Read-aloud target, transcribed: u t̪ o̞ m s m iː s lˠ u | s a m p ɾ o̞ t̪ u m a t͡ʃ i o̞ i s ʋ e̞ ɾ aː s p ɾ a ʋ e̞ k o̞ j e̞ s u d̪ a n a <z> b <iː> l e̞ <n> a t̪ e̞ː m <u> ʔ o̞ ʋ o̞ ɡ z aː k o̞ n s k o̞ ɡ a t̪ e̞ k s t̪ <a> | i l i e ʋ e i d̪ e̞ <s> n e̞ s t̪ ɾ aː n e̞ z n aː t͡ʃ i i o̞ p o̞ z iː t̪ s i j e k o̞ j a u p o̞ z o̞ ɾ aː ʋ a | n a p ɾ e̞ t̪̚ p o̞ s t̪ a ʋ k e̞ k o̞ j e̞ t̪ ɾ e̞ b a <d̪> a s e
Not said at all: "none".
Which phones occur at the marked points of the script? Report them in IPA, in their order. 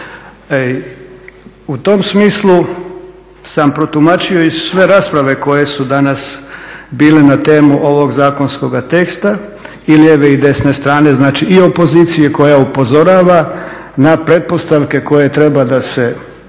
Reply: s, iː, n, u, a, s, d̪

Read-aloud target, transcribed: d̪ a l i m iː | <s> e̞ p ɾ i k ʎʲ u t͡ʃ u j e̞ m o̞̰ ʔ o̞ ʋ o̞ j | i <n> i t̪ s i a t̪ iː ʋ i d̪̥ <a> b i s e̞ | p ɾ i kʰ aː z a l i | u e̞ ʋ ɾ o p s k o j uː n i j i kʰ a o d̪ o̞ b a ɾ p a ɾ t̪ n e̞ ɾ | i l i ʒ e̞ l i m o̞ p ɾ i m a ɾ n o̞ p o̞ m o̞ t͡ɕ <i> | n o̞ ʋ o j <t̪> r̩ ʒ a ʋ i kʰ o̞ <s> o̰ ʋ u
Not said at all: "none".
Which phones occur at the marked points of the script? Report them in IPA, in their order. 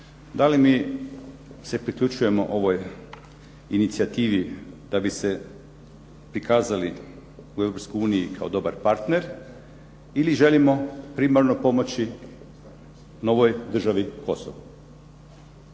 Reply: s, n, a, i, d̪, s

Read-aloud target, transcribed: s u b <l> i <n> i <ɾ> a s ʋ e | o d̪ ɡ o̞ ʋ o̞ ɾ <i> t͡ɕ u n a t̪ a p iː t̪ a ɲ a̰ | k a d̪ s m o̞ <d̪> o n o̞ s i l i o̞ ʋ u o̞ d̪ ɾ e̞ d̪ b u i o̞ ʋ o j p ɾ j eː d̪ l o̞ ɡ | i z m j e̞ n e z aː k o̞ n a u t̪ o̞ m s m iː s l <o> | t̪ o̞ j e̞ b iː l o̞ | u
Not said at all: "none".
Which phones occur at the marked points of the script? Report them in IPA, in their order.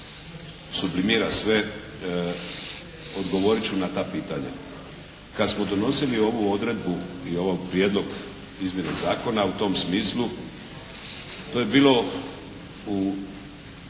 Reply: l, m, ɾ, i, d̪, u

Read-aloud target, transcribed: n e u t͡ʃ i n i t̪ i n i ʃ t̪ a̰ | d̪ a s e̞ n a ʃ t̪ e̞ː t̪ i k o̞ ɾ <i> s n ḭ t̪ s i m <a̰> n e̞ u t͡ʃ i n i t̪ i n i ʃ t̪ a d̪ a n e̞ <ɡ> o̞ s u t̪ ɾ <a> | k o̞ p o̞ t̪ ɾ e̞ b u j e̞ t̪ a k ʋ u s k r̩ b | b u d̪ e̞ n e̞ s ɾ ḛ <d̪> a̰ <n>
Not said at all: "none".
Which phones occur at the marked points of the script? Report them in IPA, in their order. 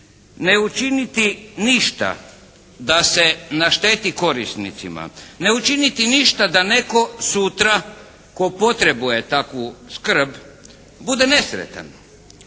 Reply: i, a̰, k, a, t̪, n

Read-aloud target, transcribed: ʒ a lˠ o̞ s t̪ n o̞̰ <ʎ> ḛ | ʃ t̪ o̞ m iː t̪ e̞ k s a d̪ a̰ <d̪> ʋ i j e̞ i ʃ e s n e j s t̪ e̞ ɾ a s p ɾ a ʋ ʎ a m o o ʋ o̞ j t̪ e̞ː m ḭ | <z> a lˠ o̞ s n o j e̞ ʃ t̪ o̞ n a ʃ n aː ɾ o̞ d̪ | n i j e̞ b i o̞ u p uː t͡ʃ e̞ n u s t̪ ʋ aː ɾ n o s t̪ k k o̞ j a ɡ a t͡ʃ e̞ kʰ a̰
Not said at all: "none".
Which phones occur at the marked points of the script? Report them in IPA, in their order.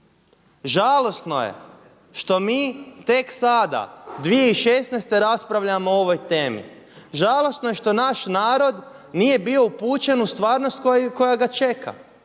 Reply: j, d̪, ʒ

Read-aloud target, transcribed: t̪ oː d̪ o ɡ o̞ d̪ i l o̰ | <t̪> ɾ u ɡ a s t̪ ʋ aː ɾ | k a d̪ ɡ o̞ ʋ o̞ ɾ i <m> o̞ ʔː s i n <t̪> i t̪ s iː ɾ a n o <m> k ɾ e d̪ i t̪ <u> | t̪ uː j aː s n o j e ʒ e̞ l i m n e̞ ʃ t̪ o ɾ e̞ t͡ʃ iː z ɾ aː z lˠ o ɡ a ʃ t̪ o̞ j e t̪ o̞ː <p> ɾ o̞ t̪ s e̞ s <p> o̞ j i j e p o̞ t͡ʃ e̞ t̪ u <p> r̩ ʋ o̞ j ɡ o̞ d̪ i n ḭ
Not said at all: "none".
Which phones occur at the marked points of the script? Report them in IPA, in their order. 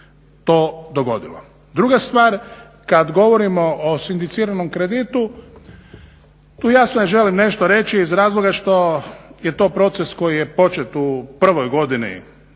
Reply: d̪, m, d̪, m, u, p, k, p

